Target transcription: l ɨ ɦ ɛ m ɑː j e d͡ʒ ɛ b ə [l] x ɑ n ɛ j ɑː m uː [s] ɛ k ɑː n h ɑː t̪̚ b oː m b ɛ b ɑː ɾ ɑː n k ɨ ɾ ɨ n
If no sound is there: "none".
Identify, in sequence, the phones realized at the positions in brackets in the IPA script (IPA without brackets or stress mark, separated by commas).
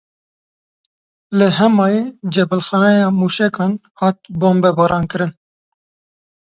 l, ʃ